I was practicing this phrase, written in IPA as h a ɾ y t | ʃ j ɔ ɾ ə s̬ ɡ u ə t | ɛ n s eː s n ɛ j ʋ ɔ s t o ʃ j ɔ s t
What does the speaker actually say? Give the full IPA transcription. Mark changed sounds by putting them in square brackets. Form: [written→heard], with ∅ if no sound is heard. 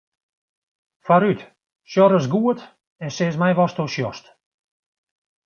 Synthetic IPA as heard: [h→f] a ɾ y t | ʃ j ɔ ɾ ə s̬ ɡ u ə t | ɛ n s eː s [n→m] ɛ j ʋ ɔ s t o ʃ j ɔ s t